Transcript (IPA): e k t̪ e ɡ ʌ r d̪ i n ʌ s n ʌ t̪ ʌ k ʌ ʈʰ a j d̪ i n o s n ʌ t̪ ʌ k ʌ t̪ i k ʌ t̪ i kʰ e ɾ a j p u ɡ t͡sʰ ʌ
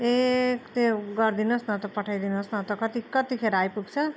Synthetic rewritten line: e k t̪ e ɡ ʌ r d̪ i n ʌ s n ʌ t̪ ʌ p ʌ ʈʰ a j d̪ i n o s n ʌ t̪ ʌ k ʌ t̪ i k ʌ t̪ i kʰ e ɾ a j p u ɡ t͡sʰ ʌ